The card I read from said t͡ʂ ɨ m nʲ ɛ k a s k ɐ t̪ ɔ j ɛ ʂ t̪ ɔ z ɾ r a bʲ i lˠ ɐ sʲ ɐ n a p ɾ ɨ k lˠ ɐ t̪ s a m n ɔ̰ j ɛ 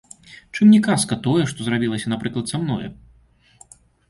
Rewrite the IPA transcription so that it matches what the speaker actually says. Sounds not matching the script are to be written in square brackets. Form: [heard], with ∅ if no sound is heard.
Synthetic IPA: t͡ʂ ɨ m nʲ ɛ k a s k ɐ t̪ ɔ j ɛ ʂ t̪ ɔ z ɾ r a bʲ i lˠ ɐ sʲ ɐ n a p ɾ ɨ k lˠ ɐ t̪ s a m n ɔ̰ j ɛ